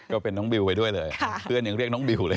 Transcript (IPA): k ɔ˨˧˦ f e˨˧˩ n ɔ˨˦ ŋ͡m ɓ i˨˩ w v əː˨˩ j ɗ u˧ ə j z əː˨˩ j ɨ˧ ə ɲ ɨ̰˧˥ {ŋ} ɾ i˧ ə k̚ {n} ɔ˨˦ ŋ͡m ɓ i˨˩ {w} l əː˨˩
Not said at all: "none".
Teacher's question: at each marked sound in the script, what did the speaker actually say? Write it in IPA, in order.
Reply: ŋ, n, w

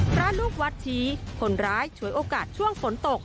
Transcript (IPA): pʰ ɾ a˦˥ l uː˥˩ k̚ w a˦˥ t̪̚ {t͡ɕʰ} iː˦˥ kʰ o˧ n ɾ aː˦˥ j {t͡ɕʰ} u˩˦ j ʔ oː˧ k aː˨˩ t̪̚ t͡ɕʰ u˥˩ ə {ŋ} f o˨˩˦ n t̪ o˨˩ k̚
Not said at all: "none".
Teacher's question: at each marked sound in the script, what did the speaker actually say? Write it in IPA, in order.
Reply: t͡ɕʰ, t͡ɕʰ, ŋ

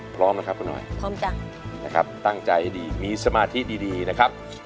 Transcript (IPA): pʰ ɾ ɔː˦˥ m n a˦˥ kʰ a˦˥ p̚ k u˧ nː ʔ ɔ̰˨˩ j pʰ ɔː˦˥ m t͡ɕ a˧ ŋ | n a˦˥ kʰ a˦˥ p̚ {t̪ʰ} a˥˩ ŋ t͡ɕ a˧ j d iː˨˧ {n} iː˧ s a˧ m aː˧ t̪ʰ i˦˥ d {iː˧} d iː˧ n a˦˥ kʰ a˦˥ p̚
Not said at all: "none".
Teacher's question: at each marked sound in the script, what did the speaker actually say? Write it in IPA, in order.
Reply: t̪, m, iː˧

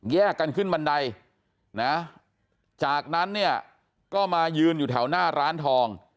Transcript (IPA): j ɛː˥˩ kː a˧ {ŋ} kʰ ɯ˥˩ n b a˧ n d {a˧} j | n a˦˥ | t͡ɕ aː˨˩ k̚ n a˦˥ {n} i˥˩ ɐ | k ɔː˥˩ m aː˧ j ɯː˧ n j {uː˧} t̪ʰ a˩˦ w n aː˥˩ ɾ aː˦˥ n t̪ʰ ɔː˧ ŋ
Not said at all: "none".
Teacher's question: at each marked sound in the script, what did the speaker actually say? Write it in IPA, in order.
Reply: n, a˧, nː, uː˨˩

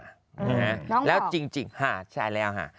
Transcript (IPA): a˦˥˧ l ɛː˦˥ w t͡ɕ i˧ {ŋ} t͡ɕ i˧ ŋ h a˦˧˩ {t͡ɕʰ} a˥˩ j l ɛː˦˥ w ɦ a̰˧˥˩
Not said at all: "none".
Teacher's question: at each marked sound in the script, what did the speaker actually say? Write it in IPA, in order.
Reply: ŋ, t͡ɕʰ

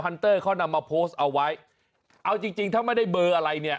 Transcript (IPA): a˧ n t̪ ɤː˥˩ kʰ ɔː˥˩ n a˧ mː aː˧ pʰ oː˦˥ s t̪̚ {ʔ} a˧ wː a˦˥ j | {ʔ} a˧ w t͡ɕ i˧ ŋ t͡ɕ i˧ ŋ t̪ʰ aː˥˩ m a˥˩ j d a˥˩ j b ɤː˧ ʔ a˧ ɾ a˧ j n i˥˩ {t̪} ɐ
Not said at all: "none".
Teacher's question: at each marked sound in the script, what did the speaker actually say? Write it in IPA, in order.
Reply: ʔ, ʔ, none

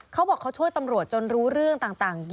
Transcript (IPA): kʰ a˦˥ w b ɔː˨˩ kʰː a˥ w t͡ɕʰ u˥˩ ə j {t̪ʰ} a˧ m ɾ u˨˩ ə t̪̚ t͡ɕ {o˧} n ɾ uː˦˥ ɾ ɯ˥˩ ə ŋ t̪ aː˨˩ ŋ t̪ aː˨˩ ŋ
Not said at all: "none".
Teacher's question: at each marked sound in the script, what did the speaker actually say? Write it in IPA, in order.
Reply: t̪, o˧

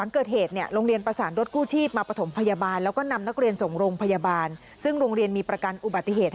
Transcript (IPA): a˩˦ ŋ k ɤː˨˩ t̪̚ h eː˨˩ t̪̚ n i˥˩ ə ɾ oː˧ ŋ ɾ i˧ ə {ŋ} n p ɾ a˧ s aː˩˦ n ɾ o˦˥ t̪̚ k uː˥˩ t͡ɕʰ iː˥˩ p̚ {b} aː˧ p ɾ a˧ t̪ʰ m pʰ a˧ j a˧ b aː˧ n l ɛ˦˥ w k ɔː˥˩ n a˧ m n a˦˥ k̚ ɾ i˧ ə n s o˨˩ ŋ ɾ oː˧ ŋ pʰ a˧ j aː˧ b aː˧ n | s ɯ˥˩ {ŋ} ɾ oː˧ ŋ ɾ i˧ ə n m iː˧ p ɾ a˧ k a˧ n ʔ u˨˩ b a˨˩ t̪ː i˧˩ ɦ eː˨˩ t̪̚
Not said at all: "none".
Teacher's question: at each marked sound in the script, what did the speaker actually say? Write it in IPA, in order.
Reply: none, m, ŋ

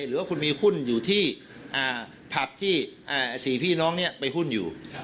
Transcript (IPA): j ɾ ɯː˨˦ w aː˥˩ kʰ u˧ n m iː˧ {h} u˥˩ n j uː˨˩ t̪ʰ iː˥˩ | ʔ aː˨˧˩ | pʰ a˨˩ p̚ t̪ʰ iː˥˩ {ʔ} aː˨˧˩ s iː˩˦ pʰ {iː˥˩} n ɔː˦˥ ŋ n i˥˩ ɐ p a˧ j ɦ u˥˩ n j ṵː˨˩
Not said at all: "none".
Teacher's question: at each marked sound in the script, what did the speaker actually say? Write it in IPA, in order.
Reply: h, ʔ, iː˥˩

